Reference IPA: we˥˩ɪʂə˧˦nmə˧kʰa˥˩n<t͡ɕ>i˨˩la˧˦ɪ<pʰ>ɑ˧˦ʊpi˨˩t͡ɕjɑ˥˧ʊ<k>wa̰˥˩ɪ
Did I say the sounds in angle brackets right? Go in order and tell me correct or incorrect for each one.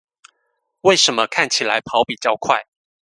incorrect: t͡ɕʰ, correct, incorrect: kʰ

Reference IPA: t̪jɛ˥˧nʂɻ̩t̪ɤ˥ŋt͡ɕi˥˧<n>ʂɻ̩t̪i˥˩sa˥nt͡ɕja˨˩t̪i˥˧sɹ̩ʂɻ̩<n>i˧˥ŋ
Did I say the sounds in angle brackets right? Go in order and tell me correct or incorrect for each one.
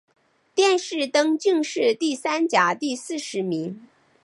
incorrect: ŋ, incorrect: m

